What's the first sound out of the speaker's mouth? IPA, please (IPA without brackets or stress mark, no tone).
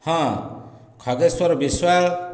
h